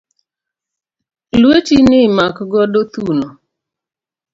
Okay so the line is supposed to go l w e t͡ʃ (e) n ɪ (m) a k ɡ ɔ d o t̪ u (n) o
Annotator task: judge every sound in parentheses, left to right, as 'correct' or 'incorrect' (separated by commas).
incorrect, correct, correct